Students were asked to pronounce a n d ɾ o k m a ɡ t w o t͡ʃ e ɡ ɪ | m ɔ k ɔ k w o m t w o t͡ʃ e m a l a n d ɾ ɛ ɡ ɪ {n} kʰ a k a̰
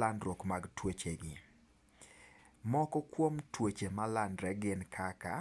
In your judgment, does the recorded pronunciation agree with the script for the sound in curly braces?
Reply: yes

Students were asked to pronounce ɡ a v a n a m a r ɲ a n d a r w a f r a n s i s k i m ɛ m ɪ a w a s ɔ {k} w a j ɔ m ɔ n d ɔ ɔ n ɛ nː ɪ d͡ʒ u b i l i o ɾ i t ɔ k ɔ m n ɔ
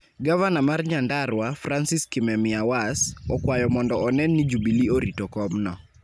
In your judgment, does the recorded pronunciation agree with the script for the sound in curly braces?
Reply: yes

